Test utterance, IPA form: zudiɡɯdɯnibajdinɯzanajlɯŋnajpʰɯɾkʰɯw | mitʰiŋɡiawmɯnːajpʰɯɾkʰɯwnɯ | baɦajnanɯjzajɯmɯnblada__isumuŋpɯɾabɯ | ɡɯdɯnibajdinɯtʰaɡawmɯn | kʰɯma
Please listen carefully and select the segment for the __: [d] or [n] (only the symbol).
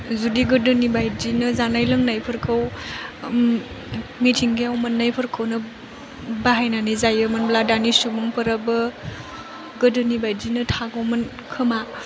n